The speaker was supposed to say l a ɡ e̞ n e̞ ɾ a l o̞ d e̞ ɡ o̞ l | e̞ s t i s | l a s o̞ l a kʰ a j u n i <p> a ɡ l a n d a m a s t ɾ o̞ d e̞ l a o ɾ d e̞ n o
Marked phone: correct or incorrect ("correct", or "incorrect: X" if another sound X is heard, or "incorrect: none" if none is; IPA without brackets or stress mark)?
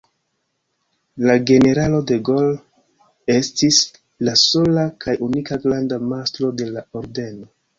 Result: incorrect: k